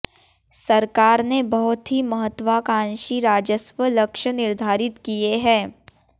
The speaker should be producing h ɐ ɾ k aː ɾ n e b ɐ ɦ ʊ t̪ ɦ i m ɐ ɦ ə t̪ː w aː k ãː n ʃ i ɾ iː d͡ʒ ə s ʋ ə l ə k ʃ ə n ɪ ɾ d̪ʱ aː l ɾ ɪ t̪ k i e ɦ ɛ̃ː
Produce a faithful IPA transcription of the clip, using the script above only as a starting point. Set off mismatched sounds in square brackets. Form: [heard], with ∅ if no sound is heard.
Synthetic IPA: [s] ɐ ɾ k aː ɾ n e b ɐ ɦ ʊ t̪ ɦ i m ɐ ɦ ə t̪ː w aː k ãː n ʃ i ɾ [aː] d͡ʒ ə s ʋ ə l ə k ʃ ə n ɪ ɾ d̪ʱ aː [∅] ɾ ɪ t̪ k i e ɦ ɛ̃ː